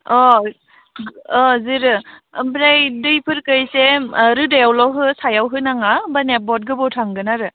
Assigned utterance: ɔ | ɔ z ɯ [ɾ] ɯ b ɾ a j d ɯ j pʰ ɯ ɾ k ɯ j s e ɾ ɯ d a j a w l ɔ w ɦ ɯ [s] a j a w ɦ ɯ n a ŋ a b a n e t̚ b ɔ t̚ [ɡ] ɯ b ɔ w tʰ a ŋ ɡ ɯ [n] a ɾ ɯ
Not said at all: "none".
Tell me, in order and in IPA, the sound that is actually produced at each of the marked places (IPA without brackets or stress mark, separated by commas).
ɾ, s, ɡ, n